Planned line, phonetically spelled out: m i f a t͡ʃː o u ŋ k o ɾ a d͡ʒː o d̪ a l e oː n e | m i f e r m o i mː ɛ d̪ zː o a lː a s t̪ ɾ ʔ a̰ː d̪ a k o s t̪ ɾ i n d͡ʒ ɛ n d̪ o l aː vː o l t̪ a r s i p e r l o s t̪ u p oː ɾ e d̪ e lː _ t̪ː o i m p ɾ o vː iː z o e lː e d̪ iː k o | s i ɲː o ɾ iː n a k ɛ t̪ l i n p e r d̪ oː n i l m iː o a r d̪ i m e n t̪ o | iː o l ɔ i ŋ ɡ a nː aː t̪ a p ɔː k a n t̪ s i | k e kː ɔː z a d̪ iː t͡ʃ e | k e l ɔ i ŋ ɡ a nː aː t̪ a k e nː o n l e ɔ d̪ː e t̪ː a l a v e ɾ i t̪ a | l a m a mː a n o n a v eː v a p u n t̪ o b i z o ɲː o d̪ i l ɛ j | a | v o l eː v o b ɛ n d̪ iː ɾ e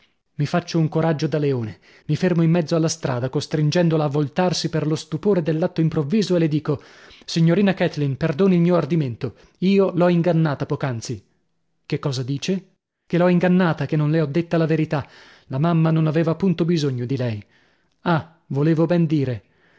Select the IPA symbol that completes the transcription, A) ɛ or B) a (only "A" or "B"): B